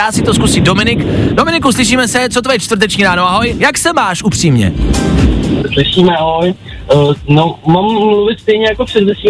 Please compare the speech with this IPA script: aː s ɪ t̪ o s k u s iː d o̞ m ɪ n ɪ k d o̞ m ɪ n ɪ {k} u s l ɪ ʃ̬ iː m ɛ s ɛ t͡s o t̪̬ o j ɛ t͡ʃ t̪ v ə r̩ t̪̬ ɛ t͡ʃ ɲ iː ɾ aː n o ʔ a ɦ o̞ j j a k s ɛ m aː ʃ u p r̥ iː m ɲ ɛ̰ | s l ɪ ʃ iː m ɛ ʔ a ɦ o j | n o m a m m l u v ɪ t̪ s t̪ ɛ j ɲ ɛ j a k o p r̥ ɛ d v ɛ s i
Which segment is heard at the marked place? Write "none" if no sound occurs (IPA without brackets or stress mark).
k